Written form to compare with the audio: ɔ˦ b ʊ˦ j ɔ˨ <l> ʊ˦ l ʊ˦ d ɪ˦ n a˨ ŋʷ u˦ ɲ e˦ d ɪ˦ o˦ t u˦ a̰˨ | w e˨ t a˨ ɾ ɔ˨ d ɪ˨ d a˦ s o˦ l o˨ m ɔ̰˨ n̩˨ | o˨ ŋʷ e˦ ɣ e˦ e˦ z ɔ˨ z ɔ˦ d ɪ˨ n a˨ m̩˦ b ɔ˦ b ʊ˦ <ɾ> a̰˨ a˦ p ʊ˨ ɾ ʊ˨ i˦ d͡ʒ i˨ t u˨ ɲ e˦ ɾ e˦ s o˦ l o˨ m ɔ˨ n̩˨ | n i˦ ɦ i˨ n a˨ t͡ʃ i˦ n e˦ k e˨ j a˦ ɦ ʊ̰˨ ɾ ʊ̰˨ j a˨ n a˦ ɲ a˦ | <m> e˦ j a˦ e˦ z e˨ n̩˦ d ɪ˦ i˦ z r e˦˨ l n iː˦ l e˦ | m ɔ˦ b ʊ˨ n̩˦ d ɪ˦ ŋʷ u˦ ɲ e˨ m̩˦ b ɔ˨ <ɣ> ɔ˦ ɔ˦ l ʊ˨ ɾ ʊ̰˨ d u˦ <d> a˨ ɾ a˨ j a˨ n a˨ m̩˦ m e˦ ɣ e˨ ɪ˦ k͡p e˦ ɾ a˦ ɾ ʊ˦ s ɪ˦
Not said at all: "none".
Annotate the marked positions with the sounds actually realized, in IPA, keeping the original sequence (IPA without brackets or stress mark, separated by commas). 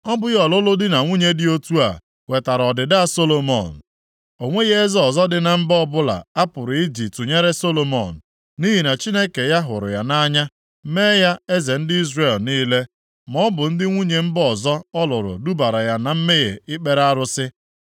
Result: l, l, m, z, b